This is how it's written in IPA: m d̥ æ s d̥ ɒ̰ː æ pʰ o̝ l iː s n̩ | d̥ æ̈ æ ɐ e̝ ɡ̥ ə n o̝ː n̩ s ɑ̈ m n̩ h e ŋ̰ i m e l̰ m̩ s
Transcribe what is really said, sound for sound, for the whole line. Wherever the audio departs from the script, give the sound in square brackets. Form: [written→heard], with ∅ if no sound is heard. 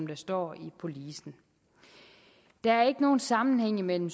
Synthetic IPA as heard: m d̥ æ s d̥ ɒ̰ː [æ→i] pʰ o̝ l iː s n̩ | d̥ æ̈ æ ɐ e̝ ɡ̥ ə n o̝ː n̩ s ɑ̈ m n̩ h e ŋ̰ i m e l̰ m̩ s